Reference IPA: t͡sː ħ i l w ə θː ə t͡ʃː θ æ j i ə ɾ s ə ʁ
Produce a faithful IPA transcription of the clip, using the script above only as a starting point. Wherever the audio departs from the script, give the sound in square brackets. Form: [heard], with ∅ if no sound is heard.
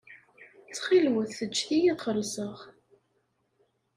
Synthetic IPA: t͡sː [χ] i l w ə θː ə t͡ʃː θ [i] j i ə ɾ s ə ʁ